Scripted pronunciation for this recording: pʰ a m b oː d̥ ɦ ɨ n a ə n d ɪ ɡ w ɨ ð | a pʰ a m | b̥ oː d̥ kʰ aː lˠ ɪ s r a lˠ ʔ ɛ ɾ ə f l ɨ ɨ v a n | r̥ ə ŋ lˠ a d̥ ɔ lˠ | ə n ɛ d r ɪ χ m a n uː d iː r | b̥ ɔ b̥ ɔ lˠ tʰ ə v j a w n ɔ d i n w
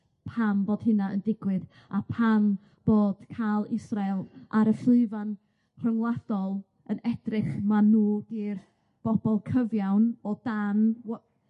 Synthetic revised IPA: pʰ a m b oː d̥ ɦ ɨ n a ə n d ɪ ɡ w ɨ ð | a pʰ a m | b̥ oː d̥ kʰ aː lˠ ɪ s r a lˠ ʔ a ɾ ə f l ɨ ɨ v a n | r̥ ə ŋ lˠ a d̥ ɔ lˠ | ə n ɛ d r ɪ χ m a n uː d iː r | b̥ ɔ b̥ ɔ lˠ kʰ ə v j a w n ɔ d a n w